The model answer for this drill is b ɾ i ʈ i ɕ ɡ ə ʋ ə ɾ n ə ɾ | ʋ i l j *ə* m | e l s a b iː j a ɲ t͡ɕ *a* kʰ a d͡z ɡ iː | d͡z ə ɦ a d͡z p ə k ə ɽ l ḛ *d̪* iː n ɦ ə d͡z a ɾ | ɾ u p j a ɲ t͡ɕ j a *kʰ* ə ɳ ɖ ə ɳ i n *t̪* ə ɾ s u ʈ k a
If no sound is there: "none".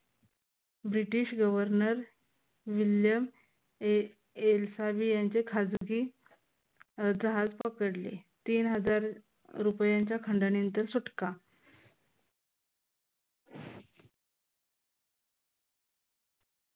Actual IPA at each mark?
ə, e, t̪, kʰ, t̪

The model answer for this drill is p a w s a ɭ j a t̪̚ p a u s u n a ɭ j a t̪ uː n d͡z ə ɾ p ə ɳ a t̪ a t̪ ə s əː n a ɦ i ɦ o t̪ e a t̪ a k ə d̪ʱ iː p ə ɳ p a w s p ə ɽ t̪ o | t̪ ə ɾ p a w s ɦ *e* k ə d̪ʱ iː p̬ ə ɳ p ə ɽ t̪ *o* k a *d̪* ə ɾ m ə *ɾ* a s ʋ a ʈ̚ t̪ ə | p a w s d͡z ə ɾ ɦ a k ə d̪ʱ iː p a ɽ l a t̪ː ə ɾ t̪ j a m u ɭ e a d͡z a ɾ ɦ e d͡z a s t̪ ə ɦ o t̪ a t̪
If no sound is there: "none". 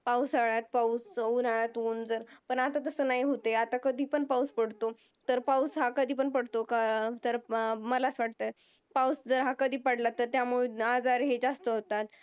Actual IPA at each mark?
a, o, t̪, l

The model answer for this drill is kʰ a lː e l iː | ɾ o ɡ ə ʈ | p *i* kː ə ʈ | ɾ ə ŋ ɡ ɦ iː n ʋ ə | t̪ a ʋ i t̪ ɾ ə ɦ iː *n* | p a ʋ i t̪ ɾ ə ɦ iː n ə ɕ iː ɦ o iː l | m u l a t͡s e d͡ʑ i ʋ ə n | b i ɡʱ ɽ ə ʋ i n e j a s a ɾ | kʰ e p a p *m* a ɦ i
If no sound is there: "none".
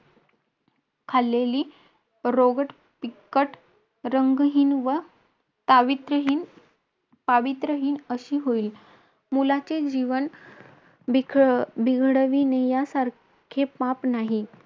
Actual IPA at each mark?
i, n, n

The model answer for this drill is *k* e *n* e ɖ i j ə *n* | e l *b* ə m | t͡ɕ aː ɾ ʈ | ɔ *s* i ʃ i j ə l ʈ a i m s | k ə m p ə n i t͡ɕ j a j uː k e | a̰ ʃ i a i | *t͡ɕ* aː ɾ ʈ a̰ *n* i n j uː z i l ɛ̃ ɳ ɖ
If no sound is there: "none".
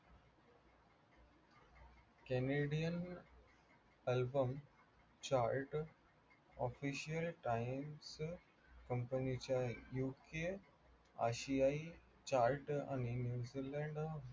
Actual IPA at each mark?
k, n, n, b, f, t͡ɕ, n

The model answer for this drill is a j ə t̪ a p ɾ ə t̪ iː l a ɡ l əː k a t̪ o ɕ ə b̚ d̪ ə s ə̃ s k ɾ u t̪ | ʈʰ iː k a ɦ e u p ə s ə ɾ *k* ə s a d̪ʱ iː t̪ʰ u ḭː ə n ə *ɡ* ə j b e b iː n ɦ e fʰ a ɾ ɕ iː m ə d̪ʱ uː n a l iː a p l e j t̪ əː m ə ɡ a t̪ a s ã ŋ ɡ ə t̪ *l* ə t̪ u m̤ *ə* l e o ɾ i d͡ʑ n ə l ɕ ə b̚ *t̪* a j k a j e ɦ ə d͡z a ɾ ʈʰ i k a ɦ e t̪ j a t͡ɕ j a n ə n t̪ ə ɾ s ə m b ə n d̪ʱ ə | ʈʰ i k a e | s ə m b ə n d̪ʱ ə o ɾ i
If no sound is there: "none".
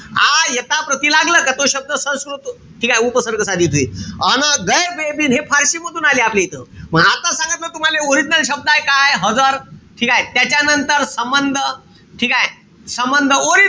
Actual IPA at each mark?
k, ɡ, l, a, d̪

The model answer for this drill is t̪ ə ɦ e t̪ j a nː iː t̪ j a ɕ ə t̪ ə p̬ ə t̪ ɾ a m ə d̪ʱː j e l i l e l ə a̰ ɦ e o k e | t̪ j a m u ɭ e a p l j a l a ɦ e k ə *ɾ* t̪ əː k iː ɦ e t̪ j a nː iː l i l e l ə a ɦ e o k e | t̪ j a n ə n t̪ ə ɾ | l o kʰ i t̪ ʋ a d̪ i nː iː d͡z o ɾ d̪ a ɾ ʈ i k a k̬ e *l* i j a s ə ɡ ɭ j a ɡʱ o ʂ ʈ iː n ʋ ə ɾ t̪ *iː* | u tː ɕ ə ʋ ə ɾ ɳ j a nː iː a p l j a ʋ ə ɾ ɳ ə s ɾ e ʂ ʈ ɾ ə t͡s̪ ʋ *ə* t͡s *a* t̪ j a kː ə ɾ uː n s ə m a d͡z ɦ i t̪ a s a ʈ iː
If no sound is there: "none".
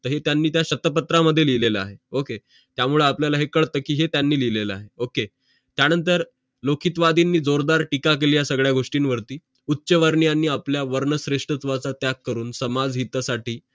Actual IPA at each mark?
ɭ, l, iː, a, a

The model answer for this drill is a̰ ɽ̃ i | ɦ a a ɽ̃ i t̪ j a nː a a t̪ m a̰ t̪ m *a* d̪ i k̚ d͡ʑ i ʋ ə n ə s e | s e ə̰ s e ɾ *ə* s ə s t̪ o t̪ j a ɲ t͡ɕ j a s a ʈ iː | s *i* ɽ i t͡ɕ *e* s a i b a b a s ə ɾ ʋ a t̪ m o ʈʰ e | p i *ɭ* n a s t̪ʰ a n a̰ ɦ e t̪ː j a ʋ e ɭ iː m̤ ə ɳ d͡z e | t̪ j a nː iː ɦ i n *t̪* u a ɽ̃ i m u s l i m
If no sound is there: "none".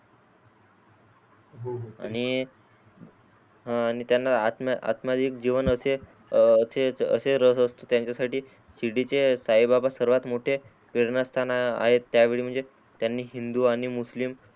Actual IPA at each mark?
a, ə, i, e, ɾ, d̪

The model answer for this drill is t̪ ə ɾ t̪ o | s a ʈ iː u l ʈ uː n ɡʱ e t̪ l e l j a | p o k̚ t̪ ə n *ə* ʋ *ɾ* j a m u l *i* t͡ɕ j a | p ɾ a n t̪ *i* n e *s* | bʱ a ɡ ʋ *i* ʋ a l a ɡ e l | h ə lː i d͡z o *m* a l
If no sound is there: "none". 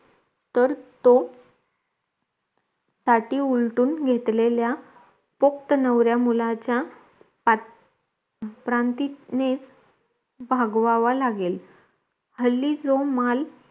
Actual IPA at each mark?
ə, ɾ, a, i, t͡s, a, m

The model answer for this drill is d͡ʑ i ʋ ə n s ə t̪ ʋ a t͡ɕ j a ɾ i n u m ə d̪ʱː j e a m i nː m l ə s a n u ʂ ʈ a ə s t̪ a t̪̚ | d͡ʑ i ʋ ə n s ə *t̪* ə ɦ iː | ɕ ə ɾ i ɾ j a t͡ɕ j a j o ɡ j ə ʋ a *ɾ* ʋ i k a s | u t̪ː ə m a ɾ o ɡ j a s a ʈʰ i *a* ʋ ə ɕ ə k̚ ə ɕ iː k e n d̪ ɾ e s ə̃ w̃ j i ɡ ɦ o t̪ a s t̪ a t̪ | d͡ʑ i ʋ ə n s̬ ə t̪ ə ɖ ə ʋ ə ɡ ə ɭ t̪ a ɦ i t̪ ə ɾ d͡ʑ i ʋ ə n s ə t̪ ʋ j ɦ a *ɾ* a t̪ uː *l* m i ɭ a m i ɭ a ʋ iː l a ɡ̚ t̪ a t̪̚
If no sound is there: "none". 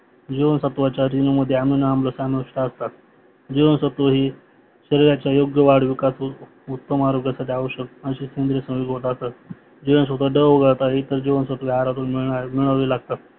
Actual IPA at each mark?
t̪, ɽ, a, ɾ, l

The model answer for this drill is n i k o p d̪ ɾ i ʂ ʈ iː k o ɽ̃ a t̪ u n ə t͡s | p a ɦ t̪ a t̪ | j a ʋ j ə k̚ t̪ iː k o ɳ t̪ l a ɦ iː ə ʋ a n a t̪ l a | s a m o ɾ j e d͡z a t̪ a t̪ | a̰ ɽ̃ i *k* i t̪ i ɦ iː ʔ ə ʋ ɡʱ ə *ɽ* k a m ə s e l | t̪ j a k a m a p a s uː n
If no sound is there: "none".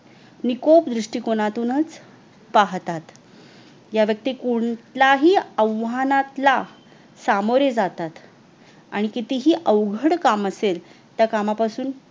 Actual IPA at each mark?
k, ɽ

